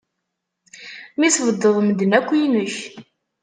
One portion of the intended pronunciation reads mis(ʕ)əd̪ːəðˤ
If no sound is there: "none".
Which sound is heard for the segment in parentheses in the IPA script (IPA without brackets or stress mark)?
v